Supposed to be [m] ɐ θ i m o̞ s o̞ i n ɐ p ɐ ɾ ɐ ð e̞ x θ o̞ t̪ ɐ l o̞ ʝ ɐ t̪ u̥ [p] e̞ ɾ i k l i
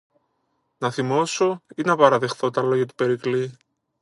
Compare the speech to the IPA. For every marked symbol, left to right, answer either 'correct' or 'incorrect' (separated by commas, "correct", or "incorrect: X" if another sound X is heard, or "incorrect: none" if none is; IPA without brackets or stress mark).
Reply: incorrect: n, correct